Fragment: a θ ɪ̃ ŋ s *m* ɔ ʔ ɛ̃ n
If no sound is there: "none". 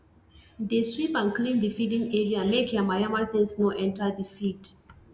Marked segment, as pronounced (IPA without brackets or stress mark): n